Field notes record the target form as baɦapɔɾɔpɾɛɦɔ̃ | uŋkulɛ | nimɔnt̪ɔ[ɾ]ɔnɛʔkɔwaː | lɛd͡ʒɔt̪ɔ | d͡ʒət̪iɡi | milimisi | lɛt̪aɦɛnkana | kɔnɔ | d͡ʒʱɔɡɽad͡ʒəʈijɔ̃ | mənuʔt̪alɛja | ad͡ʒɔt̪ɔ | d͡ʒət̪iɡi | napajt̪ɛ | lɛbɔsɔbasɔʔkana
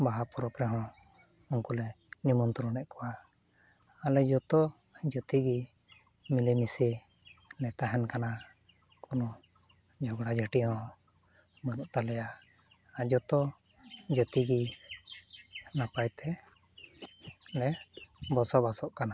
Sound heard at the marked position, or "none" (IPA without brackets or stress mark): ɾ